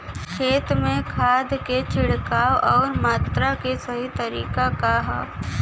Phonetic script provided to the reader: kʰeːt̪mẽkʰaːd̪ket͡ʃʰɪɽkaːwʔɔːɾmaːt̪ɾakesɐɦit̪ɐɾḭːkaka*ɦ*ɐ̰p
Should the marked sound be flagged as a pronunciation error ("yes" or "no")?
no